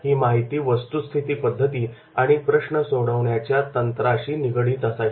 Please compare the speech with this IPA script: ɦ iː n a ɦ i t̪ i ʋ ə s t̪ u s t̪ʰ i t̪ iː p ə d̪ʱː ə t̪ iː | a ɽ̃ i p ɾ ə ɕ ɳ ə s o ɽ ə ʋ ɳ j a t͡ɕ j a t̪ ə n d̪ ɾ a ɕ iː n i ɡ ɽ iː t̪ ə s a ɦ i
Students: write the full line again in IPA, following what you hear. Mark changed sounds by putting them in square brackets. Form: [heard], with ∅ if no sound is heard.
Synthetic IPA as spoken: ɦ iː [m] a ɦ i t̪ [iː] ʋ ə s t̪ u s t̪ʰ i t̪ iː p ə d̪ʱː ə t̪ iː | a ɽ̃ i p ɾ ə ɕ ɳ ə s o ɽ ə ʋ ɳ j a t͡ɕ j a t̪ ə n [t̪] ɾ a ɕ iː n i ɡ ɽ iː t̪ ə s a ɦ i